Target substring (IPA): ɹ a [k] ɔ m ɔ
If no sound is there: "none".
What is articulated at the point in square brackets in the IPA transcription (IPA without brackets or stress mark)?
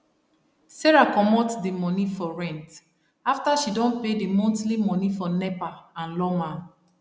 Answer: k